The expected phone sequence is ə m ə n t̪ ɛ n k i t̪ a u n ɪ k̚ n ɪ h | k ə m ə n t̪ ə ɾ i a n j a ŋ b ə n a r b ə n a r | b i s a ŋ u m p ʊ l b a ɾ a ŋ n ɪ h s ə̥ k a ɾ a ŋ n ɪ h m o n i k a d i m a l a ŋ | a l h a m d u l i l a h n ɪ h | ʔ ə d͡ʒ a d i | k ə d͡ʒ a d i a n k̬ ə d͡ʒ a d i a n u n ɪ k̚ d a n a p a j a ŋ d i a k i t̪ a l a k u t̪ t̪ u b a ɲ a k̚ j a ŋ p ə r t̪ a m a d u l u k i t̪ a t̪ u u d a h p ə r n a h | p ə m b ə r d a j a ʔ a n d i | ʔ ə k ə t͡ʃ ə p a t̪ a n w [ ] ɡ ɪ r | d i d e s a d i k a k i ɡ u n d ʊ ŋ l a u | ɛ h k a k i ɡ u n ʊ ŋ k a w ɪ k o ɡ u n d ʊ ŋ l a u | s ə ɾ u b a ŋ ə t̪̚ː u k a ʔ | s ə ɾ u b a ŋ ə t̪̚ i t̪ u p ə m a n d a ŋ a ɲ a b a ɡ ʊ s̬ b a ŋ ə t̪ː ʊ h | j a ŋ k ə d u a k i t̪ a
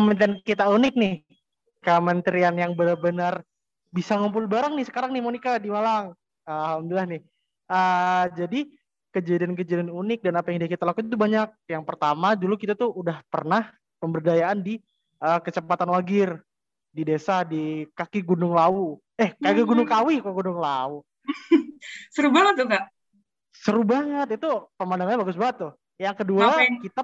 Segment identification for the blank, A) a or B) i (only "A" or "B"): A